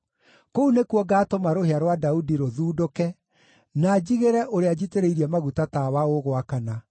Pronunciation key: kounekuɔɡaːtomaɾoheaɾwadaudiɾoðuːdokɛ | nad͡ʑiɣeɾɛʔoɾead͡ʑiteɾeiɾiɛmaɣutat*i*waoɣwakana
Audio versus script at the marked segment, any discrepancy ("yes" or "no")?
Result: yes